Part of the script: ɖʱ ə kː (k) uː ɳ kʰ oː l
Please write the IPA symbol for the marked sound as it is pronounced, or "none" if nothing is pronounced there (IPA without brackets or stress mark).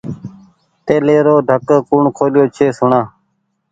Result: k